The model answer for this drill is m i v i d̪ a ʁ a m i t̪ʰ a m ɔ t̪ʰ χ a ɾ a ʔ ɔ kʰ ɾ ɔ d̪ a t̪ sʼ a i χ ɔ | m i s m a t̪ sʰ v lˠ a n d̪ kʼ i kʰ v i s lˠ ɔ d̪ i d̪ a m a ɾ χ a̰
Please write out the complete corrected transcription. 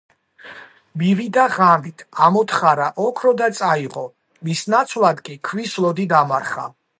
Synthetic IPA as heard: m i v i d̪ a ʁ a m i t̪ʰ a m ɔ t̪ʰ χ a ɾ a ʔ ɔ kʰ ɾ ɔ d̪ a t̪ sʼ a i ʁ ɔ | m i s n a t̪ sʰ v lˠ a d̪ kʼ i kʰ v i s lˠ ɔ d̪ i d̪ a m a ɾ χ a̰